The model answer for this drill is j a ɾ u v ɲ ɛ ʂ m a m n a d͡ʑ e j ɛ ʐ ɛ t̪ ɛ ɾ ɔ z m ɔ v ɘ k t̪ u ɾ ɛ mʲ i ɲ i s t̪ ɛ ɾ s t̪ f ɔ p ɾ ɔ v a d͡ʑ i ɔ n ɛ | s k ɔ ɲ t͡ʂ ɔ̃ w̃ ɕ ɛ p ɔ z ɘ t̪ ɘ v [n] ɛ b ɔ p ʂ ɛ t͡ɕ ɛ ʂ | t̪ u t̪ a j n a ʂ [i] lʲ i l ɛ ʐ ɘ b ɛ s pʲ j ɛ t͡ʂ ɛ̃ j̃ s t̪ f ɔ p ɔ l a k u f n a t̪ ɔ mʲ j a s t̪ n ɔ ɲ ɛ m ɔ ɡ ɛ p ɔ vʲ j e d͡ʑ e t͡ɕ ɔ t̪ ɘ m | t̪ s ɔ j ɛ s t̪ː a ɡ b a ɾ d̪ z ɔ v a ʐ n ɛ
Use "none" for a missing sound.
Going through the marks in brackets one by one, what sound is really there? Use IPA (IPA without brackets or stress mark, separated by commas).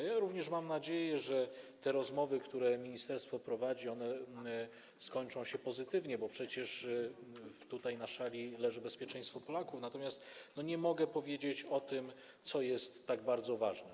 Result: ɲ, a